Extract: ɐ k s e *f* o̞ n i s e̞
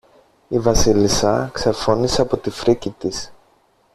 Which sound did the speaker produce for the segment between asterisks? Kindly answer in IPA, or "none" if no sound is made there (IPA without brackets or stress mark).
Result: f